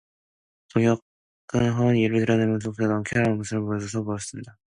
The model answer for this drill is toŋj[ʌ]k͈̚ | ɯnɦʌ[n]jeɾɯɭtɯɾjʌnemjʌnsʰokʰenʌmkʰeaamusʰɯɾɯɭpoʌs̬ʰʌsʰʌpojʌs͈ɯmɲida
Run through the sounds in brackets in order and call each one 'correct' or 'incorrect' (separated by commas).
correct, correct